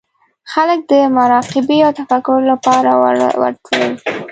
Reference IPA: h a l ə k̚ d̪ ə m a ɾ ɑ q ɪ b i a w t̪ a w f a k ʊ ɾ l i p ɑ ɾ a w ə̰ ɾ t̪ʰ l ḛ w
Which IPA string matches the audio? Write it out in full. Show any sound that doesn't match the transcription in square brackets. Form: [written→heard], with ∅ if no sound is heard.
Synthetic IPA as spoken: [h→x] a l ə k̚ d̪ ə m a ɾ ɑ q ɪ b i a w t̪ a [w→∅] f a k ʊ ɾ l [i→a] p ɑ ɾ a w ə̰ ɾ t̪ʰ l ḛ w